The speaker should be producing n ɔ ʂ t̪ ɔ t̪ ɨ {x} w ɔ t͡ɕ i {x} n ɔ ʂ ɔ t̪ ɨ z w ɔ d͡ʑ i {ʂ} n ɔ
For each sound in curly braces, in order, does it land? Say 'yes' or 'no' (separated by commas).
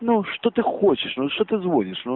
yes, no, yes